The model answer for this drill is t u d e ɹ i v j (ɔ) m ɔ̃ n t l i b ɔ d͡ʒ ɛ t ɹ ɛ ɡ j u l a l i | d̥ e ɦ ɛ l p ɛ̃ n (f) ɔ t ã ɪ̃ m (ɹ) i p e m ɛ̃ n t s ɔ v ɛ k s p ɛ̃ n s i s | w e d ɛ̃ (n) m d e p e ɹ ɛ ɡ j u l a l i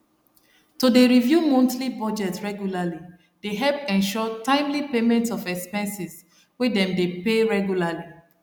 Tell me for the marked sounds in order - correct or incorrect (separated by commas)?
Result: incorrect, incorrect, incorrect, incorrect